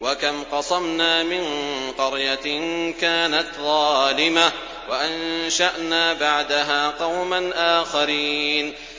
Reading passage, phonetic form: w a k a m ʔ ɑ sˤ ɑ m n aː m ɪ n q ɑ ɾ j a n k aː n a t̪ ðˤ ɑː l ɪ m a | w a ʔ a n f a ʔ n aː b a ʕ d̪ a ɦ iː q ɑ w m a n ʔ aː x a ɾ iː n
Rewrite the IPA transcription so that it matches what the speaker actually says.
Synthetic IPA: w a k a m q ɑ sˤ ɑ m n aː m ɪ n q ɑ ɾ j a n k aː n a t̪ ðˤ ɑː l ɪ m a | w a ʔ a n ʃ a ʔ n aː b a ʕ d̪ a ɦ aː q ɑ w m a n ʔ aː x a ɾ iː n